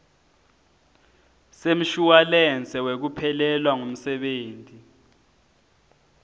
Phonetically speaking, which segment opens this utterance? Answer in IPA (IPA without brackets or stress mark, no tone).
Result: s